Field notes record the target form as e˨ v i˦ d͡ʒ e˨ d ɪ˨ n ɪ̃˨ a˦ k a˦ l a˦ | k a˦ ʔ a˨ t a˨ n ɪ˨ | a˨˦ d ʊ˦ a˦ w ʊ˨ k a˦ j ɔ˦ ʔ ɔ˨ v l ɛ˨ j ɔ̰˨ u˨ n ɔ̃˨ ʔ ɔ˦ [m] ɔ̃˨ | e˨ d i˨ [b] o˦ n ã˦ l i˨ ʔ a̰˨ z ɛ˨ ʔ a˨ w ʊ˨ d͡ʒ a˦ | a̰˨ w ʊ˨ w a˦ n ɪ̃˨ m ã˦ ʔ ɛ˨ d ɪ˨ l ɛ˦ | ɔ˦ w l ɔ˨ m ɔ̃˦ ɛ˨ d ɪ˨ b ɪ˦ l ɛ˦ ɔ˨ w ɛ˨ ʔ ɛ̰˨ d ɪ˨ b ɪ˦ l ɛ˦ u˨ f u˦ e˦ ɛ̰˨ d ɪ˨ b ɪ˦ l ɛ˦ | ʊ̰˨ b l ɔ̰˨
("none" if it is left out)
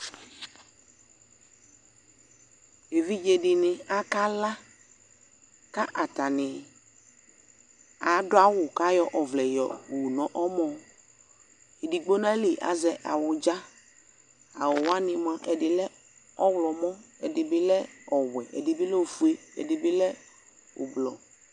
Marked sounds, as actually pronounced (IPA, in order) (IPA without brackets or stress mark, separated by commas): m, ɡ͡b